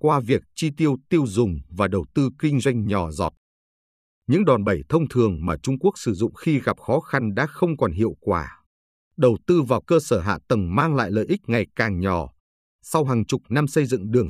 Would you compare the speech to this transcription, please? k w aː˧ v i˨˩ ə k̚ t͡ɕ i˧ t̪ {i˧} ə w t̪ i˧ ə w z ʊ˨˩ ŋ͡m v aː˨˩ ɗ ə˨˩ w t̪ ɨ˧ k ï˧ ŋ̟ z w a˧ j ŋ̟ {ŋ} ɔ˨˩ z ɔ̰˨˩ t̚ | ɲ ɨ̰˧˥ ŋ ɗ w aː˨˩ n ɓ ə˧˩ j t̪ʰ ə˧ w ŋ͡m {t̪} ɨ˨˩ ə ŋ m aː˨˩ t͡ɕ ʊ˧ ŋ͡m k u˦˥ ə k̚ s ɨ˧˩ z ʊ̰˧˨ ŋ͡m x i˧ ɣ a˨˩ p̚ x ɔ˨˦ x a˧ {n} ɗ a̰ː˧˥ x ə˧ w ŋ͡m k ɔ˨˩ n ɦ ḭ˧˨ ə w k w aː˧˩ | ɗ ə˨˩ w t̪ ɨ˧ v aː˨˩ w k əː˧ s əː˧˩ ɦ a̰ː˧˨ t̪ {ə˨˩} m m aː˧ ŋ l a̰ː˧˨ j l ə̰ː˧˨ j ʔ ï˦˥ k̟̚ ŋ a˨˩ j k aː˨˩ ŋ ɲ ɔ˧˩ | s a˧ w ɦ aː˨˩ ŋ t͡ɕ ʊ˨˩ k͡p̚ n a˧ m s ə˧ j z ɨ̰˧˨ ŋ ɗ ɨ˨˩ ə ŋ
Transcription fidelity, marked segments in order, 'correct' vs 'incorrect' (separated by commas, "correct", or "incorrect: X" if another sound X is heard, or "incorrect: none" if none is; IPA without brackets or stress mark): correct, incorrect: ɲ, incorrect: t̪ʰ, correct, correct